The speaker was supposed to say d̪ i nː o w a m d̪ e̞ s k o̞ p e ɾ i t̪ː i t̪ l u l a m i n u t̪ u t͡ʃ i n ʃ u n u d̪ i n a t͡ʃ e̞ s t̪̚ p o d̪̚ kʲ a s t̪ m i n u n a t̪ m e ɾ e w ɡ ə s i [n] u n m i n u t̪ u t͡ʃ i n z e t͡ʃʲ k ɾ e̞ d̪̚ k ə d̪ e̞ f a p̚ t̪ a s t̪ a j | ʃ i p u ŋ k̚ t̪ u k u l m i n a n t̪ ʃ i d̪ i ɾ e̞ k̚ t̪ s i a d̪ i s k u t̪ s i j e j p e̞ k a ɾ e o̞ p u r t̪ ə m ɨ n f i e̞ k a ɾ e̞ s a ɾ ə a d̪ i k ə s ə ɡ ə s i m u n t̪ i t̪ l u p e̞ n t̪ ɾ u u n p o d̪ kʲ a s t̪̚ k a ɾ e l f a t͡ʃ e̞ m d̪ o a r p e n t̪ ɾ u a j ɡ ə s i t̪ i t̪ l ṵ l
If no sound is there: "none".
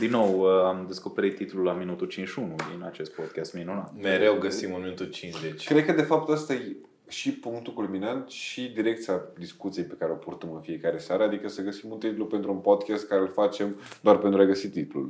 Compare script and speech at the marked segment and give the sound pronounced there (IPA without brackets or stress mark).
m